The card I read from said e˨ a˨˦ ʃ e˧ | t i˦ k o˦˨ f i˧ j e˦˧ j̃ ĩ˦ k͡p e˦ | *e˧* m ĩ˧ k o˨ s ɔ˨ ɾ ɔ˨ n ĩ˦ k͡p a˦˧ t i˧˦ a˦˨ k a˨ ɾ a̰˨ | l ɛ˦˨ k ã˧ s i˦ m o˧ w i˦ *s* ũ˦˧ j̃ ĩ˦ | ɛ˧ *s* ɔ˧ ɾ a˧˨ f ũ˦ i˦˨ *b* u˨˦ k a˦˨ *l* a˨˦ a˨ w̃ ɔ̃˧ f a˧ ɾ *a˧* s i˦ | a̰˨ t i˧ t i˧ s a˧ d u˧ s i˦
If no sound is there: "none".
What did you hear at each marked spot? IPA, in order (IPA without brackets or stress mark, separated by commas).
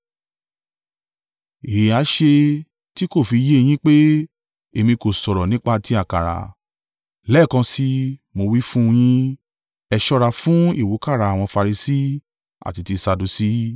e˧, f, ʃ, w, ɾ, i˧